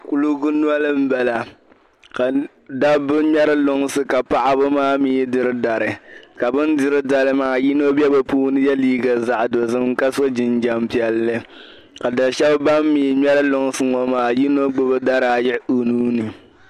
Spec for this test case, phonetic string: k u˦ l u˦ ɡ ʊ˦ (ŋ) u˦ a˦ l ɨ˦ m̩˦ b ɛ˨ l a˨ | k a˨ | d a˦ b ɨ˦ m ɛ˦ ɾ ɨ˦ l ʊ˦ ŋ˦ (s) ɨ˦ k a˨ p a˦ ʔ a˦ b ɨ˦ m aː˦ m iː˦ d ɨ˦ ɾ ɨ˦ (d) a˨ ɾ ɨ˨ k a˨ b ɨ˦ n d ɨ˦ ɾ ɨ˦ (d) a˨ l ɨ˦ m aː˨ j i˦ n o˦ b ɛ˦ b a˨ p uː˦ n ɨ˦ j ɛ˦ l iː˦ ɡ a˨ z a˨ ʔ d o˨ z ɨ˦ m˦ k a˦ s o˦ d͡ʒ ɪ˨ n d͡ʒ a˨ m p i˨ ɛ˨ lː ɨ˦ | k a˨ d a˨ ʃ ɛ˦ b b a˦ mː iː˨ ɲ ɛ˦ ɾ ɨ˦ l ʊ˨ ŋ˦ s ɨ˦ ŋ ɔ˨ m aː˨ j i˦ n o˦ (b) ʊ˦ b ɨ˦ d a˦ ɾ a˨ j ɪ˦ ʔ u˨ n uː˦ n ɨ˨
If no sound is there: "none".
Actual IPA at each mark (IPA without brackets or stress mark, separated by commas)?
n, s, d, d, ɡ͡b